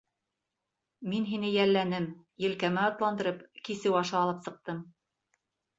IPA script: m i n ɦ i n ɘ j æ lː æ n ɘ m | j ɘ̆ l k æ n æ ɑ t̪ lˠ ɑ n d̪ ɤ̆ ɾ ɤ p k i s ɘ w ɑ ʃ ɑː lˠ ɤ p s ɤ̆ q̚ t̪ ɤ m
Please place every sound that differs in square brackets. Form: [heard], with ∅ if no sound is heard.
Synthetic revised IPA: m i n ɦ i n ɘ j æ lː æ n ɘ m | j ɘ̆ l k æ [m] æ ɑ t̪ lˠ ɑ n d̪ ɤ̆ ɾ ɤ p k i s ɘ w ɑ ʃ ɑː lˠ ɤ p s ɤ̆ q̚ t̪ ɤ m